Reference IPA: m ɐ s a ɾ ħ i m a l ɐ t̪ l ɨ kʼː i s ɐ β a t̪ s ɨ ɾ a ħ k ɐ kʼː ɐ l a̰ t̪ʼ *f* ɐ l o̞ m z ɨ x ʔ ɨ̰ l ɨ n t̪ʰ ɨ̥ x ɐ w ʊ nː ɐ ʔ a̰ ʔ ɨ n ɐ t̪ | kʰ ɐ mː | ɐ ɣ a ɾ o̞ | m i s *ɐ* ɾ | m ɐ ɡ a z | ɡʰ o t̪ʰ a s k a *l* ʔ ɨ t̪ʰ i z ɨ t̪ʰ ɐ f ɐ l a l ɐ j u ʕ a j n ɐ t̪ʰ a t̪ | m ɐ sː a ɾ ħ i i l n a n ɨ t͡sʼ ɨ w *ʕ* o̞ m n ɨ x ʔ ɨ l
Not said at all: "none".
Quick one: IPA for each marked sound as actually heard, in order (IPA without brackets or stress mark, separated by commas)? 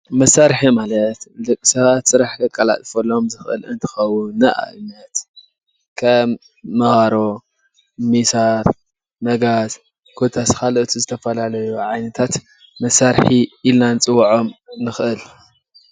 f, a, l, ʕ